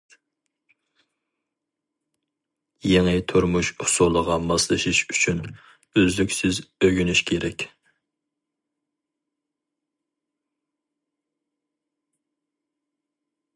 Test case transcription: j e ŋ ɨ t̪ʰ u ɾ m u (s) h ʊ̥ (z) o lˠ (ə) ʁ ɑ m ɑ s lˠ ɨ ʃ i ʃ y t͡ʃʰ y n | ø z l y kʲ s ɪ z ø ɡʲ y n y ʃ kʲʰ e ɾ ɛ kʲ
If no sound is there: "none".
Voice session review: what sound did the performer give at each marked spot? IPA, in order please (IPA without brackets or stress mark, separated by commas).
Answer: ʃ, s, ə